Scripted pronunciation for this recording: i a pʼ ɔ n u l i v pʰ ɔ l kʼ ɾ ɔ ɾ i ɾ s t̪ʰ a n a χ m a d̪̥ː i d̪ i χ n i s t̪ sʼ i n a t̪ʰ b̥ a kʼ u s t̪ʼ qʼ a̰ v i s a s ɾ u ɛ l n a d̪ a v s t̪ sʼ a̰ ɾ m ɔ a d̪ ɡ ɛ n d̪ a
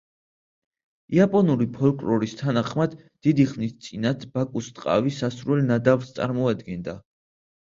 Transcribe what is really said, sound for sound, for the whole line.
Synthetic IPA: i a pʼ ɔ n u ɾ i pʰ ɔ l kʼ ɾ ɔ ɾ i s t̪ʰ a n a χ m a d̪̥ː i d̪ i χ n i s t̪ sʼ i n a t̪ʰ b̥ a kʼ u s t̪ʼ qʼ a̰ v i s a s ɾ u ɛ l n a d̪ a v s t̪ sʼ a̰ ɾ m ɔ a d̪ ɡ ɛ n d̪ a